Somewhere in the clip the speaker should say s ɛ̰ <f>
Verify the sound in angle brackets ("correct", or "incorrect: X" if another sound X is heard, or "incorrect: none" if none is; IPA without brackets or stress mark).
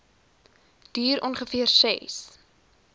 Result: incorrect: s